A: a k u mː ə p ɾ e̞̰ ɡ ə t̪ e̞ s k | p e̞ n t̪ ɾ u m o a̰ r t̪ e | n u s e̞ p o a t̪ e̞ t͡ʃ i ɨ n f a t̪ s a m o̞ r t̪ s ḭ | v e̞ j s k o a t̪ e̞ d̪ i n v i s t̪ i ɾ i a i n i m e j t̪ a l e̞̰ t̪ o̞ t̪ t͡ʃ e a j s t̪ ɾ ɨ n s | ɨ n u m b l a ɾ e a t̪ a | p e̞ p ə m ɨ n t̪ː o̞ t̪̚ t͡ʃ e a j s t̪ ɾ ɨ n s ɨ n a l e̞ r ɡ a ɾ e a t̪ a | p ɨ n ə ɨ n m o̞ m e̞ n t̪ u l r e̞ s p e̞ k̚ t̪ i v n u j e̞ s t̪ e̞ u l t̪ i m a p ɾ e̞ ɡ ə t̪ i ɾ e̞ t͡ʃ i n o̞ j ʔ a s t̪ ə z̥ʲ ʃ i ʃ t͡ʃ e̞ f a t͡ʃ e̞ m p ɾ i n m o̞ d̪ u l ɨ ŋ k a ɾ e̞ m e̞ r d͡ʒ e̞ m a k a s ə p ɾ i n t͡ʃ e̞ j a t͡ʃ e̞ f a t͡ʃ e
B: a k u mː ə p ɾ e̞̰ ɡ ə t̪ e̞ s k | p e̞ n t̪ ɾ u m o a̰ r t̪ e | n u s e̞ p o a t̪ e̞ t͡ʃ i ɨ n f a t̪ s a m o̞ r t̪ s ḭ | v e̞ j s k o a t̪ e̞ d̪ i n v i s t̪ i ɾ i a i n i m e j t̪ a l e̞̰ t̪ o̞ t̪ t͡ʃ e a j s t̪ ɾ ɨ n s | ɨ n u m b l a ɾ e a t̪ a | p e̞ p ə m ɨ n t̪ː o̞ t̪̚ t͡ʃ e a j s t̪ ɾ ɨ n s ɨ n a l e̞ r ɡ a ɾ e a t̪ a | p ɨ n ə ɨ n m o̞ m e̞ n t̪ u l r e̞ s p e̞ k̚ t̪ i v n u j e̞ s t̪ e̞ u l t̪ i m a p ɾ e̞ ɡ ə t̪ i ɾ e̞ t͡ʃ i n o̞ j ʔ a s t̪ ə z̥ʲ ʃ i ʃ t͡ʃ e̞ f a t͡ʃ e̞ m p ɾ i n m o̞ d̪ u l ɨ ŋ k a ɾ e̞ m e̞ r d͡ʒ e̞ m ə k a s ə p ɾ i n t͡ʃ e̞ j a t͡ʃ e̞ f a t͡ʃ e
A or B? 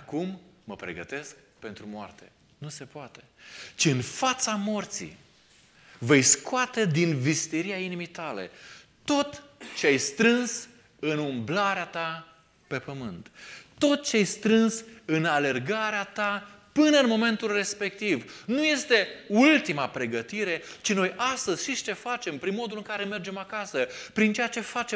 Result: A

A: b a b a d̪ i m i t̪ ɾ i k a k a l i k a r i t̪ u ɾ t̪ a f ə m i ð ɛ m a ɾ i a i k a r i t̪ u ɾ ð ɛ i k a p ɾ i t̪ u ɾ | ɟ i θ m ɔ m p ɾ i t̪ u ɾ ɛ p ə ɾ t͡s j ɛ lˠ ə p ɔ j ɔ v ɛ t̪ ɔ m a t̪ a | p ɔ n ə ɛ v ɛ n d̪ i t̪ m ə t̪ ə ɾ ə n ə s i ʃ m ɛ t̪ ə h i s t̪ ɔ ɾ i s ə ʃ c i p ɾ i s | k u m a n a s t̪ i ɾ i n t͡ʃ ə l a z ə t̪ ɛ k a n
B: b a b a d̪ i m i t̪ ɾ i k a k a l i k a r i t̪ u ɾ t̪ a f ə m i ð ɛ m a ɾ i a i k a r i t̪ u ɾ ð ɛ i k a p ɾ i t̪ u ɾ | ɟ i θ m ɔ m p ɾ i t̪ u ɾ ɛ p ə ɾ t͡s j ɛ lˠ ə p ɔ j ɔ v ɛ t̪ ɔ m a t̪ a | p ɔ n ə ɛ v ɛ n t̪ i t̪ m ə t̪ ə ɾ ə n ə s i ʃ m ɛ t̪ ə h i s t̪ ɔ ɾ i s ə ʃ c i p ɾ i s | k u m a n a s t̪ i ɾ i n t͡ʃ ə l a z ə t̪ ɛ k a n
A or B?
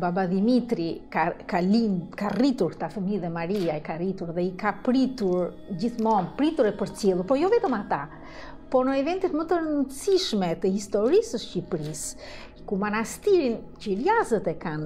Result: B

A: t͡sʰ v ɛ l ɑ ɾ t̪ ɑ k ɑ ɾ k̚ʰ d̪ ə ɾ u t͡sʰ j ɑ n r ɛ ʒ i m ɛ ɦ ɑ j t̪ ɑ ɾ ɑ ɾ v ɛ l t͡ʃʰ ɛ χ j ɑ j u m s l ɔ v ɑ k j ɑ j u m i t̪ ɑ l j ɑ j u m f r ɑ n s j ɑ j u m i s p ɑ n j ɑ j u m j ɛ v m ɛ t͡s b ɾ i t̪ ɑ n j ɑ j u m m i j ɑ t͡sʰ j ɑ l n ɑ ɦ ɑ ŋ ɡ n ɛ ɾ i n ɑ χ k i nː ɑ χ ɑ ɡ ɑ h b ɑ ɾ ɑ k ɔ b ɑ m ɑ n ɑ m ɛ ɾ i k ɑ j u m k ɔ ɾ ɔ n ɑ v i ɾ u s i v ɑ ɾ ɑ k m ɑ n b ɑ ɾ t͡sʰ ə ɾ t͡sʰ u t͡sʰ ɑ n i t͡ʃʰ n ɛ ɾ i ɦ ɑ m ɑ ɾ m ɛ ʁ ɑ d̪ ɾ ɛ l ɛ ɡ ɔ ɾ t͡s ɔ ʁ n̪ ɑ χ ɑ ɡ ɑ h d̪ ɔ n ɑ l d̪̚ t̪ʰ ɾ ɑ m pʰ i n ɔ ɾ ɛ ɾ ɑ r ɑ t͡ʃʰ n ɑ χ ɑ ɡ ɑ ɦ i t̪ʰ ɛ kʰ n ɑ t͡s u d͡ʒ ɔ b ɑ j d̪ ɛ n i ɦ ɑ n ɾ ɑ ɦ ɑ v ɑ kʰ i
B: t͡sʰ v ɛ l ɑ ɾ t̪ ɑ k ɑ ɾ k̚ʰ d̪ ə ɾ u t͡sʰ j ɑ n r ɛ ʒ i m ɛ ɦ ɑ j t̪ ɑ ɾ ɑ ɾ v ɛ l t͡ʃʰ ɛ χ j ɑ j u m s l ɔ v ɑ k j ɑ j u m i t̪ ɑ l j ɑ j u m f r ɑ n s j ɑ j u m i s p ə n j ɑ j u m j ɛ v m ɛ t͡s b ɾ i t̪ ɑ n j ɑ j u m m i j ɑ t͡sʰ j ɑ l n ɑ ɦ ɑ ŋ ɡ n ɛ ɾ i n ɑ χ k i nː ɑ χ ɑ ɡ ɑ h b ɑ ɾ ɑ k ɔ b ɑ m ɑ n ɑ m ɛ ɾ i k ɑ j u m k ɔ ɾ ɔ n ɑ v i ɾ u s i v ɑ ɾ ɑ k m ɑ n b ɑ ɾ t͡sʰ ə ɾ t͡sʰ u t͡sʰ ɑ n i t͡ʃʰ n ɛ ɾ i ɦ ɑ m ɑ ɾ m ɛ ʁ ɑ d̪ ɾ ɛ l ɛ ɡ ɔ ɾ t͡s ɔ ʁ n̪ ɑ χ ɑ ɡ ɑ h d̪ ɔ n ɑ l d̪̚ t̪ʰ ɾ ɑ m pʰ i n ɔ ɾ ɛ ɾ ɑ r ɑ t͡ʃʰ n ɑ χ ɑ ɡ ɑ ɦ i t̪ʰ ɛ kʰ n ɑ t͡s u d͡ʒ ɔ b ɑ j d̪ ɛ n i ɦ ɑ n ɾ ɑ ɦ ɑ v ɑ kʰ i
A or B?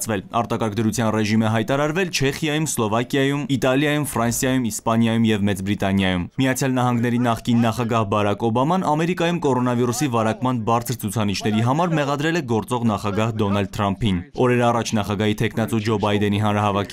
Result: A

